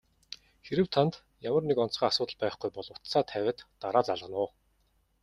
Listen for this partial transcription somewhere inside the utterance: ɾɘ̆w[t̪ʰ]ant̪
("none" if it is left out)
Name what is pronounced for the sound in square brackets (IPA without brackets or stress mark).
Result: t̪ʰ